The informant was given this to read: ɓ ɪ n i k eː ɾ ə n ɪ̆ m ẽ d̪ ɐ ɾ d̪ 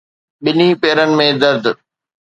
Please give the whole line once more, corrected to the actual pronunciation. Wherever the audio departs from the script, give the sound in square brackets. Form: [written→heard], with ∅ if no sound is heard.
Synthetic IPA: ɓ ɪ n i [k→p] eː ɾ ə n ɪ̆ m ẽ d̪ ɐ ɾ d̪